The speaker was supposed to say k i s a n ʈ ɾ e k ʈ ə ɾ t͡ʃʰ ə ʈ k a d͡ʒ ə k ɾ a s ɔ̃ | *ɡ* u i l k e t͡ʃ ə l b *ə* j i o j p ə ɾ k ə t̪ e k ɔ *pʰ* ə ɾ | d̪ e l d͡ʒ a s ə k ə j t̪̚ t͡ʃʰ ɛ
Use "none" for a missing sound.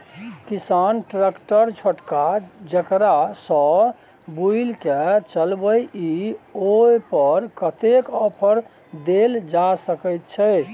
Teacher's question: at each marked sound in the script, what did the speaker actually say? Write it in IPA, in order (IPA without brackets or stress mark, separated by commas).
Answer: b, ə, pʰ